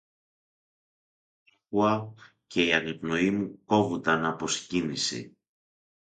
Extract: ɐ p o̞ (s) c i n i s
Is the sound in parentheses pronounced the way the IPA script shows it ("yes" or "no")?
yes